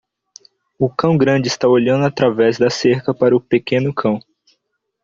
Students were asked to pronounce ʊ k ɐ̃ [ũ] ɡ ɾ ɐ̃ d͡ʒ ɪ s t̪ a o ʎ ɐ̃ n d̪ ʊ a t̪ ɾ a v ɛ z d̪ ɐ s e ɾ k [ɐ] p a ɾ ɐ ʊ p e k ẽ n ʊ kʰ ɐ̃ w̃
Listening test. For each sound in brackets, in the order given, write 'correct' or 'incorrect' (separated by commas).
incorrect, correct